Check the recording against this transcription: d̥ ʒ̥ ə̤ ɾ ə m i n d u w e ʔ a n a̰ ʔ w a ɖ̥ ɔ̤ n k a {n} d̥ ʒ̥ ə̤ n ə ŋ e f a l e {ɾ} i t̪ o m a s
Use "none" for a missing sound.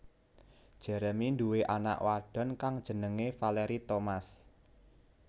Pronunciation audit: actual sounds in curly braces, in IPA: ŋ, ɾ

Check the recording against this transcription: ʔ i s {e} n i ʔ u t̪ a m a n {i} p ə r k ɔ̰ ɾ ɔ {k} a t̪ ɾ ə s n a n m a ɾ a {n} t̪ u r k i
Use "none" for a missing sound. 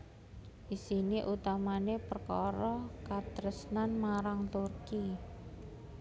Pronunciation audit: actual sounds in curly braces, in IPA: i, e, k, ŋ

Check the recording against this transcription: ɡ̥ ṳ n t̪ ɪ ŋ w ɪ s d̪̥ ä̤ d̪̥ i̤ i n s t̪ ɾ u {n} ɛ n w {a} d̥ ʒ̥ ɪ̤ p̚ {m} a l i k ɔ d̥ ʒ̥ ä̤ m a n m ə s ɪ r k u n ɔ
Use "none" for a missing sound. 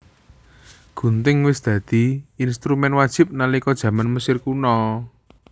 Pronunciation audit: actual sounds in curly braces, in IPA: m, a, n

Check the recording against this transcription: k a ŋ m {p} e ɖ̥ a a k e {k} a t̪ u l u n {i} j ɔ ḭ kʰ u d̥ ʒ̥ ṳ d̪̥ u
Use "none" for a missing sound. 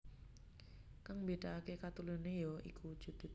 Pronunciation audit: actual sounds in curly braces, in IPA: b, k, e

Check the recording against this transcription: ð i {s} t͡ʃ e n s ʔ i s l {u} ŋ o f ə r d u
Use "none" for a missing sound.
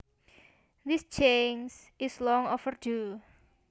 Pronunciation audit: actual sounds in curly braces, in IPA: s, ɔ

